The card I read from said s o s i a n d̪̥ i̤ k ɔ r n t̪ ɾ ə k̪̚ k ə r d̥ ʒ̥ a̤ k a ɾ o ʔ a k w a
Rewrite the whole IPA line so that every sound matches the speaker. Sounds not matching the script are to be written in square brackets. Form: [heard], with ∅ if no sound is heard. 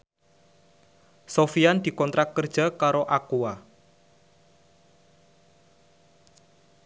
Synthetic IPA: s o [f] i a n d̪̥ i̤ k ɔ [∅] n t̪ ɾ [a] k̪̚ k ə r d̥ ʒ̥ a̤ k a ɾ o ʔ a k [u] a

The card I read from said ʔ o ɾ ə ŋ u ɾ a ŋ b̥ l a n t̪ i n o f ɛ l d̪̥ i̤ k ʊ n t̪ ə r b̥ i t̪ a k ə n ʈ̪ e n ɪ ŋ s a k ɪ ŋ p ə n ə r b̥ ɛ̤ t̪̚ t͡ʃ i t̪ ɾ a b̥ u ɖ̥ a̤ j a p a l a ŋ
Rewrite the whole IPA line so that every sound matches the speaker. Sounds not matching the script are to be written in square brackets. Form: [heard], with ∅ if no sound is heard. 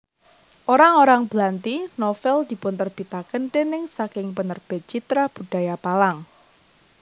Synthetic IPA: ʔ o ɾ [a] ŋ [o] ɾ a ŋ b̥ l a n t̪ i n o f ɛ l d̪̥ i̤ [p] ʊ n t̪ ə r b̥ i t̪ a k ə n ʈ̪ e n ɪ ŋ s a k ɪ ŋ p ə n ə r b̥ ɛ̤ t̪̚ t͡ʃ i t̪ ɾ a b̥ u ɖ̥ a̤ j a p a l a ŋ

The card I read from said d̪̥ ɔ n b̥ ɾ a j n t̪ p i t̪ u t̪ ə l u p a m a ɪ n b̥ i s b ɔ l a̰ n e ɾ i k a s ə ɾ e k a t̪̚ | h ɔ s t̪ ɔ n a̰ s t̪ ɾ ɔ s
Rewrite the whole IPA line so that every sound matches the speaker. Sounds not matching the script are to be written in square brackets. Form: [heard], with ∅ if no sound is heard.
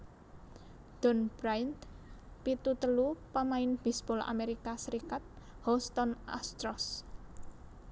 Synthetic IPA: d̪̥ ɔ n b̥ ɾ a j n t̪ p i t̪ u t̪ ə l u p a m a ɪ n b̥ i s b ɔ l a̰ [m] e ɾ i k a s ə ɾ [i] k a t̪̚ | h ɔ s t̪ ɔ n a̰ s t̪ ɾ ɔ s

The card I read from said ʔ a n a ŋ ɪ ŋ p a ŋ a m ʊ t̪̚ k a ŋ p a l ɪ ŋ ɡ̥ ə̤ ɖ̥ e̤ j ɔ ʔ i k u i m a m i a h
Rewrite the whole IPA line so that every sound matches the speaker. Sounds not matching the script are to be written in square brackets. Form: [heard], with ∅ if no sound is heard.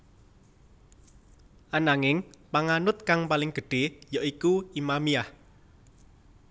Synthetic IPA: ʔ a n a ŋ ɪ ŋ p a ŋ a [n] ʊ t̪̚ k a ŋ p a l ɪ ŋ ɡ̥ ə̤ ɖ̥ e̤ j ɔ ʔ i k u i m a m i a h

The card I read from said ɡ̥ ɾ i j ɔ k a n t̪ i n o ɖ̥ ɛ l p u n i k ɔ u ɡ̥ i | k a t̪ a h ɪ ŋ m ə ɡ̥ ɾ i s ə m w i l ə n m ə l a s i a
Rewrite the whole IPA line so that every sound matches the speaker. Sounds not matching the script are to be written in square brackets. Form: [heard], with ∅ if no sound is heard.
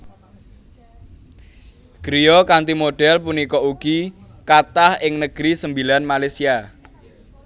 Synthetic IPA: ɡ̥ ɾ i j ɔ k a n t̪ i [m] o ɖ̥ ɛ l p u n i k ɔ u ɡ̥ i | k a t̪ a h ɪ ŋ [n] ə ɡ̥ ɾ i s ə m [b] i l [a] n m [a] l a s i a

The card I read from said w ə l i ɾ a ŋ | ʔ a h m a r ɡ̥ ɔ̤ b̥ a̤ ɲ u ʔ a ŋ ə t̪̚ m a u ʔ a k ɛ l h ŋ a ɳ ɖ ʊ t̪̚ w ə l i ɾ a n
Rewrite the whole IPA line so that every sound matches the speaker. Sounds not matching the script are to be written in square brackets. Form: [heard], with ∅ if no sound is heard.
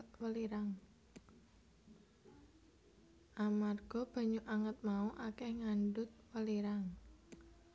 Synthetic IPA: w ə l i ɾ a ŋ | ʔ a [∅] m a r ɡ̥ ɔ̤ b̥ a̤ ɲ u ʔ a ŋ ə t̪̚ m a u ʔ a k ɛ [∅] h ŋ a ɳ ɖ ʊ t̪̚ w ə l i ɾ a [ŋ]

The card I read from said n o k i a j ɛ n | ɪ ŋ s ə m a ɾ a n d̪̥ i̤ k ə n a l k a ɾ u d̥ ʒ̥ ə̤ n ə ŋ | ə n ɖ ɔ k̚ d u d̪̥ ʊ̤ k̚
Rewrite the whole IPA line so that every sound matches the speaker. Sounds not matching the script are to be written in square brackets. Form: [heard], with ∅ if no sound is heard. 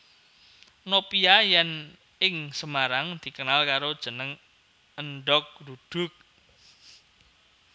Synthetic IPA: n o [p] i a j ɛ n | ɪ ŋ s ə m a ɾ a [ŋ] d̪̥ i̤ k ə n a l k a ɾ [o] d̥ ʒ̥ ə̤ n ə ŋ | ə n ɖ ɔ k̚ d u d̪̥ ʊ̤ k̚

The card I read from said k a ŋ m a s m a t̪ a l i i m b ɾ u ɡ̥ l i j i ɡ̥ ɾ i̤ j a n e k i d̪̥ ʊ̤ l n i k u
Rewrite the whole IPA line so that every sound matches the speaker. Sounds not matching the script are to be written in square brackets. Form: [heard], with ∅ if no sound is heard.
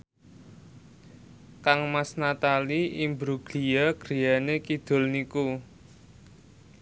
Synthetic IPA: k a ŋ m a s [n] a t̪ a l i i m b ɾ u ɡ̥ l i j [a] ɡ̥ ɾ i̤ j a n e k i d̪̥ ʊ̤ l n i k u

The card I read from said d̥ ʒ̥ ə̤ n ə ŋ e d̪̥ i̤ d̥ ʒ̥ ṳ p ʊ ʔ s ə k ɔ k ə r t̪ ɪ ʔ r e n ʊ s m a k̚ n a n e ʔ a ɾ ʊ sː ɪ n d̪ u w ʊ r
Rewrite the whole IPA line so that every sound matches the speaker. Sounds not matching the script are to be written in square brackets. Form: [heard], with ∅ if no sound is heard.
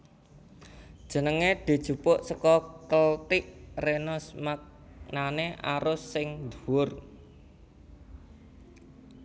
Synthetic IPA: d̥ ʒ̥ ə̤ n ə ŋ e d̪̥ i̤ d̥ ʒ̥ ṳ p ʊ ʔ s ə k ɔ k ə [l] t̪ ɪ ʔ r e n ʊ s m a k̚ n a n e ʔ a ɾ ʊ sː ɪ [ŋ] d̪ u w ʊ r

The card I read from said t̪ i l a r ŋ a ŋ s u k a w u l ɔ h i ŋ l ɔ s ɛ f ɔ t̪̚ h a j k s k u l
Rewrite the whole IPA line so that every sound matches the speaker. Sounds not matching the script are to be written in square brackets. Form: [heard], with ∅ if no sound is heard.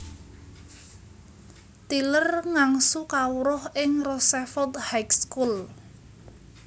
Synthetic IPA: t̪ i l [ə] r ŋ a ŋ s u k a w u [ɾ] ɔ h [ɪ] ŋ [r] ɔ s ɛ f ɔ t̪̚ h a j k s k u l

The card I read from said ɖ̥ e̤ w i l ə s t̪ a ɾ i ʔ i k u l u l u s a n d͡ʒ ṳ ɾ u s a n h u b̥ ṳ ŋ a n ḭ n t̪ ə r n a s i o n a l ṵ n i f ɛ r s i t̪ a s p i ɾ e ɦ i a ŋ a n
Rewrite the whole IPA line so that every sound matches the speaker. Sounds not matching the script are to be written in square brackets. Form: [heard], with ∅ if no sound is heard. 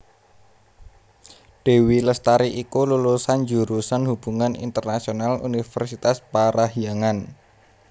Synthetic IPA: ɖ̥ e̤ w i l ə s t̪ a ɾ i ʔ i k u l u l u s a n d͡ʒ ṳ ɾ u s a n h u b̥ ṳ ŋ a n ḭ n t̪ ə r n a s i o n a l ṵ n i f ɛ r s i t̪ a s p [a] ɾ [a] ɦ i a ŋ a n

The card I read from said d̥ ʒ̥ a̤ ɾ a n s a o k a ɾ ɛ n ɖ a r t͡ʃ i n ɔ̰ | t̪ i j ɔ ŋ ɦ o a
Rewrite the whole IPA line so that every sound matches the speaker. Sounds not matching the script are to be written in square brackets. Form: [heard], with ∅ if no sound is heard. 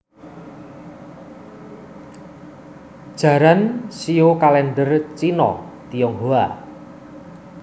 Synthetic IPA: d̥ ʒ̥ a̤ ɾ a n s [i] o k a [l] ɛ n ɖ [ə] r t͡ʃ i n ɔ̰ | t̪ i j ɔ ŋ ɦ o a

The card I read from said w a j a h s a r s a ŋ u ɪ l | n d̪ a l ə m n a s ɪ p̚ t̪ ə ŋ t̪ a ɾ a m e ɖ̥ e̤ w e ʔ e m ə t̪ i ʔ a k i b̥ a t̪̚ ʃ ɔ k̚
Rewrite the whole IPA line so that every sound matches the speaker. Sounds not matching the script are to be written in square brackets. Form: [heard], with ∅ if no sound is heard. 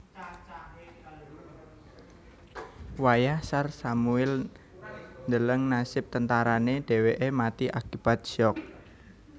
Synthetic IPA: w a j a h s a r s a [m] u ɪ l | n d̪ [ə] l ə [ŋ] n a s ɪ p̚ t̪ ə [n] t̪ a ɾ a [n] e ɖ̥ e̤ w e ʔ e m [a] t̪ i ʔ a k i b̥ a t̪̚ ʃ ɔ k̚

